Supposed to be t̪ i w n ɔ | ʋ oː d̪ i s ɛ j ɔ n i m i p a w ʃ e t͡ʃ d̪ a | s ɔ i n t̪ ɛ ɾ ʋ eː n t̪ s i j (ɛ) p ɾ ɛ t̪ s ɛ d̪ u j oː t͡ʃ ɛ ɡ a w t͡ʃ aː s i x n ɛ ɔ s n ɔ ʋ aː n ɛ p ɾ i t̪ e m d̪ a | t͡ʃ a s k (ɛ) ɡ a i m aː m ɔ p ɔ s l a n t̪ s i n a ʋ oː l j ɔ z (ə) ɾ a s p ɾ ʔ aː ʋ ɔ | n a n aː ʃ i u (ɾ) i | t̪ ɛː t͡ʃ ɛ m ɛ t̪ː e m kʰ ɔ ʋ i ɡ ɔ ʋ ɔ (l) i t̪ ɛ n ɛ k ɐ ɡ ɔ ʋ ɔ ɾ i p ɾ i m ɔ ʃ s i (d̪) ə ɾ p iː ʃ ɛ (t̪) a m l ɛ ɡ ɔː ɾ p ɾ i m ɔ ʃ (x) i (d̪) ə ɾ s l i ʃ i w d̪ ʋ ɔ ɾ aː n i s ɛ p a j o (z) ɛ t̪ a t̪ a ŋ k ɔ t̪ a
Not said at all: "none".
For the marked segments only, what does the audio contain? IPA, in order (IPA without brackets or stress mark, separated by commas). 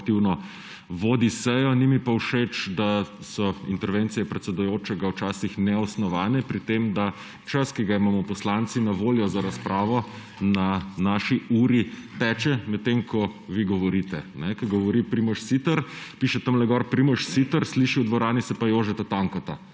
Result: ɛ, i, a, ɾ, ɾ, t̪, t̪, s, t̪, ʒ